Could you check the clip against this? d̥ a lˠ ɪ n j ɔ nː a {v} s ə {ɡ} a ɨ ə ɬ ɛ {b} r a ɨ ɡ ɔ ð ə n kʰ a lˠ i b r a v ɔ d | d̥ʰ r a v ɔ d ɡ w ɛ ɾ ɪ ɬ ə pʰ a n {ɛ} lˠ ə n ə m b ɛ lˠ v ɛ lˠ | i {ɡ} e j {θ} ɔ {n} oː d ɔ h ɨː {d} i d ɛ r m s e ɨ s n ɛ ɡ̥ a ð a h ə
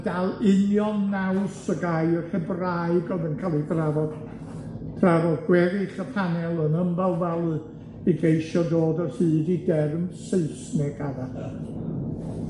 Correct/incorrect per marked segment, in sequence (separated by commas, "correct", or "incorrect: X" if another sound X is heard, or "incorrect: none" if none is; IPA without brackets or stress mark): incorrect: w, correct, correct, correct, correct, incorrect: ʃ, incorrect: d, correct